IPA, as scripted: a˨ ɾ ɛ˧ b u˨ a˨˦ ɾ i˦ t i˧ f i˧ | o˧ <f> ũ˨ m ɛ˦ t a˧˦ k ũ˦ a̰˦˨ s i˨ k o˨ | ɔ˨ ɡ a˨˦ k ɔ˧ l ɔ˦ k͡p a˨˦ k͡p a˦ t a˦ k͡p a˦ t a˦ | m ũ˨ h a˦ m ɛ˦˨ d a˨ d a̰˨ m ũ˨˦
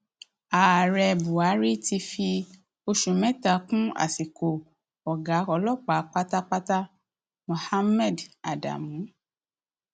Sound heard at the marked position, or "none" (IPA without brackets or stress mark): ʃ